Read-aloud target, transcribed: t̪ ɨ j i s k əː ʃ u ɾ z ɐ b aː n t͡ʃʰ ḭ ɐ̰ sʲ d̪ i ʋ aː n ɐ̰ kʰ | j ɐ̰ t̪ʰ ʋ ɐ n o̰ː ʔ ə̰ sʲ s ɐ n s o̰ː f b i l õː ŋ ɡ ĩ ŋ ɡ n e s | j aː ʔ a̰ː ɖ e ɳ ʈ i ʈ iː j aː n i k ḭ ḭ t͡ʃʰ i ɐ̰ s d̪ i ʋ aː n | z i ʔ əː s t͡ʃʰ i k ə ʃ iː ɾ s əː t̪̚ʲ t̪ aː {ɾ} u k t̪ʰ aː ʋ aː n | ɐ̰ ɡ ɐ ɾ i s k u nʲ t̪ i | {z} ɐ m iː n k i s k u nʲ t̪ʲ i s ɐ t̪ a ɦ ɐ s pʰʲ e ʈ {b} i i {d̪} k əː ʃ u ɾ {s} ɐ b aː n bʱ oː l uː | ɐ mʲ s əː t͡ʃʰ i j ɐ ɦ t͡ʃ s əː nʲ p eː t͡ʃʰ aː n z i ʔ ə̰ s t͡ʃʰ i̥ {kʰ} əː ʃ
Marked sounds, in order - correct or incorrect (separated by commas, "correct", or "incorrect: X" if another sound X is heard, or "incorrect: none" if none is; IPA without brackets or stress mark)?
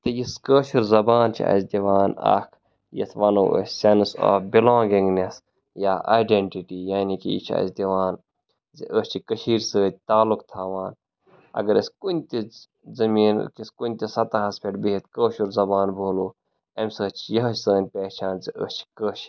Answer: incorrect: l, correct, correct, incorrect: t̪, incorrect: z, incorrect: k